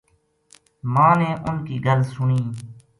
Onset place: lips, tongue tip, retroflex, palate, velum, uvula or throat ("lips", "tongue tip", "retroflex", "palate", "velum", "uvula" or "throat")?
lips